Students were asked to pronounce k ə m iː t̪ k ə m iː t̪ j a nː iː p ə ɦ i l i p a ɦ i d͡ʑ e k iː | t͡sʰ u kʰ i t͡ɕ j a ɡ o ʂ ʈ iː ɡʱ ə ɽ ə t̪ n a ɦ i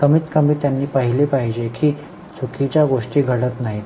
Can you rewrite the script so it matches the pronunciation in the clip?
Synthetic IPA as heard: k ə m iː t̪ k ə m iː t̪ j a nː iː p ə ɦ i l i p a ɦ i d͡ʑ e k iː | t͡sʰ u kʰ i t͡ɕ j a ɡ o ʂ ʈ iː ɡʱ ə ɽ ə t̪ n a ɦ i